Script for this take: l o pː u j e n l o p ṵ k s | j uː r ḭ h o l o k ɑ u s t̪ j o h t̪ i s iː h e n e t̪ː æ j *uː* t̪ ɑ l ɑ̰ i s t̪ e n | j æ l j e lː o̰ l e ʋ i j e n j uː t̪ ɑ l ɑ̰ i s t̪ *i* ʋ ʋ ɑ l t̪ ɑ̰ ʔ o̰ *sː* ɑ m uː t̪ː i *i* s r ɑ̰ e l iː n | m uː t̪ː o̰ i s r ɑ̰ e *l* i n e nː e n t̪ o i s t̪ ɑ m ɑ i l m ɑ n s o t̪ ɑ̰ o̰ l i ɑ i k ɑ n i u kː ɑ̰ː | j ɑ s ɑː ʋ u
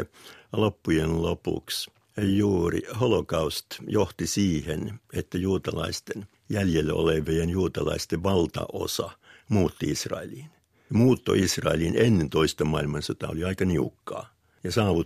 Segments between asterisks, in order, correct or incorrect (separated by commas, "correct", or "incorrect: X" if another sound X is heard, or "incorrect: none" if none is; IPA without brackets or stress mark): correct, incorrect: e, incorrect: s, correct, correct